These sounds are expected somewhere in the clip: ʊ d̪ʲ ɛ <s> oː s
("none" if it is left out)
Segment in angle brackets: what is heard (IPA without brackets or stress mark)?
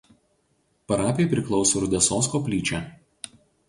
s